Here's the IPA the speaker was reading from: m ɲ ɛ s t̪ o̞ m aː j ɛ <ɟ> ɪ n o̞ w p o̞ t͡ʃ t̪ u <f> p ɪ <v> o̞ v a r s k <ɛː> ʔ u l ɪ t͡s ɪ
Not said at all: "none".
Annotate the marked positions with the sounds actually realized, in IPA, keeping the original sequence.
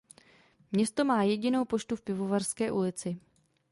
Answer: ɟ, f, v, ɛː

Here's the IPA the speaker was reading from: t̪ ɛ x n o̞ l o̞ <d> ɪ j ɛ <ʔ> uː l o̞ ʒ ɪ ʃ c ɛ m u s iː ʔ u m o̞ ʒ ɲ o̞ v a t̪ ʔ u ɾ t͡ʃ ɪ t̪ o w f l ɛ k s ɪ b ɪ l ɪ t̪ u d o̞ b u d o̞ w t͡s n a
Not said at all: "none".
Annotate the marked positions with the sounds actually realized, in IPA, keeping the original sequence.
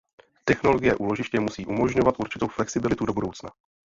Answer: ɡ, ʔ

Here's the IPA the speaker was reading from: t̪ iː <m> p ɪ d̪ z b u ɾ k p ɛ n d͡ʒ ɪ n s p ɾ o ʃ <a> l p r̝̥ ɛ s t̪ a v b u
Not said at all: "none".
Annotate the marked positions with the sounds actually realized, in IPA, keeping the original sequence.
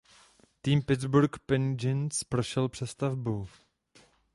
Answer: m, ɛ

